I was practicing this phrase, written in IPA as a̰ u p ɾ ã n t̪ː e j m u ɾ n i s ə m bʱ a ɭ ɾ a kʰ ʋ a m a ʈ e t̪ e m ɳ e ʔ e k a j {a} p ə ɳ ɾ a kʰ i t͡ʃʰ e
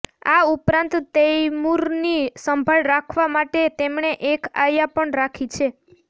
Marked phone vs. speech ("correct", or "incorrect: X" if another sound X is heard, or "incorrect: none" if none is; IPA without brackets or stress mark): correct